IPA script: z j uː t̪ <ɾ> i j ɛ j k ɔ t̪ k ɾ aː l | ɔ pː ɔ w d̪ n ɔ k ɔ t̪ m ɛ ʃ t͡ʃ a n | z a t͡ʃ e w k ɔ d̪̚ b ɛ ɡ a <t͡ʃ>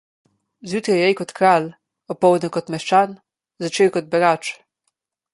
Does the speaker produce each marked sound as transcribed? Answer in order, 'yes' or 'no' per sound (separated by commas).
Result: yes, yes